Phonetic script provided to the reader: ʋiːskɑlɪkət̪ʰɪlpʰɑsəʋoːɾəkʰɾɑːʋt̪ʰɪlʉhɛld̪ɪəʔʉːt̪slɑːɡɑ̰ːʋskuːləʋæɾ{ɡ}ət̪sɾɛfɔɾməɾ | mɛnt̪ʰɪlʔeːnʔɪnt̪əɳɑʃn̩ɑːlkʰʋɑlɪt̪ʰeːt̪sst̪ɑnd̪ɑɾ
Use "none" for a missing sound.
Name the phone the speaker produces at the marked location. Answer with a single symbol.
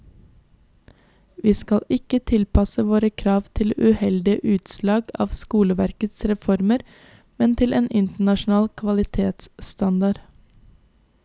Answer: k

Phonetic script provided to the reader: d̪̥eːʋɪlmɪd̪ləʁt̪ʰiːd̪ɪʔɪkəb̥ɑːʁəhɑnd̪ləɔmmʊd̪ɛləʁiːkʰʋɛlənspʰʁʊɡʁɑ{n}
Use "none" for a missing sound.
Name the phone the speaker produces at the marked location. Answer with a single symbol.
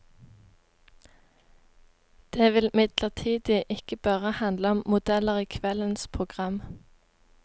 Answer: m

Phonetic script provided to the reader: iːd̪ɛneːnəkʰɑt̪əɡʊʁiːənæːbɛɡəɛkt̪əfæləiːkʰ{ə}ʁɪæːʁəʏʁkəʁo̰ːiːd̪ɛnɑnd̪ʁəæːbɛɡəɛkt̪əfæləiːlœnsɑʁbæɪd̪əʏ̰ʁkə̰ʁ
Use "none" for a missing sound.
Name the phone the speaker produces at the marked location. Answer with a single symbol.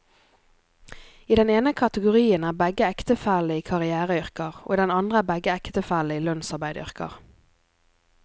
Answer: ɑ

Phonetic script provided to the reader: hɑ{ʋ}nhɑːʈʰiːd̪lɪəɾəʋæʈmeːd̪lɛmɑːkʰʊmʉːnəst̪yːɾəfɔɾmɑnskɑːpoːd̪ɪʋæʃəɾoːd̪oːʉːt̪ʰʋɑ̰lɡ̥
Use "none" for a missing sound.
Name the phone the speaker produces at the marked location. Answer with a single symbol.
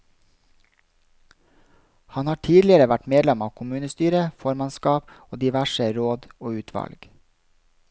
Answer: none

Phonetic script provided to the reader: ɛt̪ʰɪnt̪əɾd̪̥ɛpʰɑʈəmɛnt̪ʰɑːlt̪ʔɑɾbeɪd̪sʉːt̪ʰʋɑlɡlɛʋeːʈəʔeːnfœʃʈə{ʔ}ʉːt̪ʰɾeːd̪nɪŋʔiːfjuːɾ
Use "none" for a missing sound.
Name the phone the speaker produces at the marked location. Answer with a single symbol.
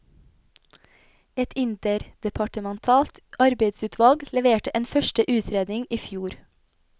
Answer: ʔ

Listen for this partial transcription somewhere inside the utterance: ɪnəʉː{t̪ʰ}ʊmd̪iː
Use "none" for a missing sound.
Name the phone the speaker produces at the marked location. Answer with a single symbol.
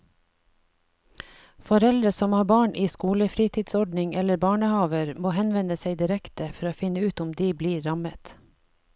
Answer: t̪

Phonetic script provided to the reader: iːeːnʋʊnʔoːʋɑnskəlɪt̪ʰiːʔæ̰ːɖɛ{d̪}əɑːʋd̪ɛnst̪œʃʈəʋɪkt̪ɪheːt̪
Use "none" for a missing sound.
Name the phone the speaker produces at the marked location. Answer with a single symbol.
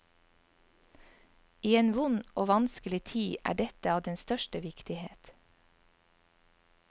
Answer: t̪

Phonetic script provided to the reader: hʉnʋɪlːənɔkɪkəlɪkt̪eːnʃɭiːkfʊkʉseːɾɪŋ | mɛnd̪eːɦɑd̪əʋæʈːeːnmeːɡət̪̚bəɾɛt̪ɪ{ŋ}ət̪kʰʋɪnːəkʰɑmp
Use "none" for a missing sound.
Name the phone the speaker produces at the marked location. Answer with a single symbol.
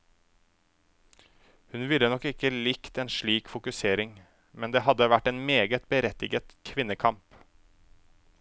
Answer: ɡ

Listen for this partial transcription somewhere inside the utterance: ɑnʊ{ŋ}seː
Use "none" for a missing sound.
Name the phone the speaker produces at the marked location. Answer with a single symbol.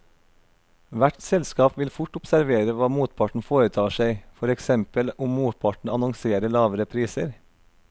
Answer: ŋ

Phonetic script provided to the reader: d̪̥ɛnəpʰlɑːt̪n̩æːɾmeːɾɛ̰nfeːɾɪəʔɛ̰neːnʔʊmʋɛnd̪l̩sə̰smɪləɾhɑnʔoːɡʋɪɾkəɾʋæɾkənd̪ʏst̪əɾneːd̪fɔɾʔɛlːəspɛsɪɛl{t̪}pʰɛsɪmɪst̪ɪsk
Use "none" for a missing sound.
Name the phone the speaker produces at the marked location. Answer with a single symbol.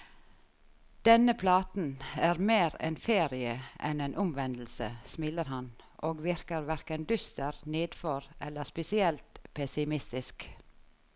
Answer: t̪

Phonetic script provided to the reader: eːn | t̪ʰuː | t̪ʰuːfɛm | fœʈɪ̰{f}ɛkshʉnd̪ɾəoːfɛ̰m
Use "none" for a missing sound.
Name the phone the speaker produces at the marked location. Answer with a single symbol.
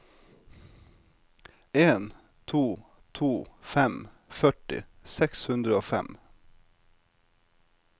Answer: s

